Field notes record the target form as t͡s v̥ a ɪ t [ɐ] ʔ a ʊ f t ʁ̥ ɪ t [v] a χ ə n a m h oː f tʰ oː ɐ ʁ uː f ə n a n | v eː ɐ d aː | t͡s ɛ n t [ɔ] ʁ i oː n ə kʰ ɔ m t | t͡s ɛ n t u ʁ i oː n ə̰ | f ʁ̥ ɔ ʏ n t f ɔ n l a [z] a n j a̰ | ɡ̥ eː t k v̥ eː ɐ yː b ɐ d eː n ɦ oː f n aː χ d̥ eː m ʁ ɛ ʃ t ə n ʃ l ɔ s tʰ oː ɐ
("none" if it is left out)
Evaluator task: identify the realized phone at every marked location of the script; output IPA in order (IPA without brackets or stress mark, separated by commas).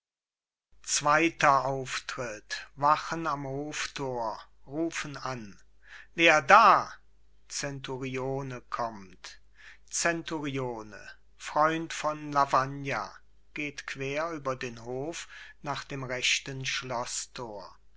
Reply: ɐ, v, u, v